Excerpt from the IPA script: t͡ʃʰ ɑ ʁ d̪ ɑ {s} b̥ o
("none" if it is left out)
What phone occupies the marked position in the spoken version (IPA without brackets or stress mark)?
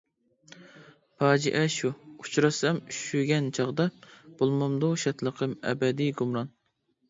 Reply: none